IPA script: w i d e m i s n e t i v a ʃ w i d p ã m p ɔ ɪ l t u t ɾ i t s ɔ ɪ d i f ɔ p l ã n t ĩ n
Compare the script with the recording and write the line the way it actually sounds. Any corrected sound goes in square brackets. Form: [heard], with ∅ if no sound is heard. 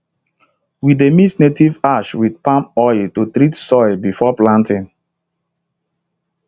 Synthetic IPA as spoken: w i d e m i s n e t i v a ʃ w i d p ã m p ɔ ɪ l t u t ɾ i t s ɔ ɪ [b] i f ɔ p l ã n t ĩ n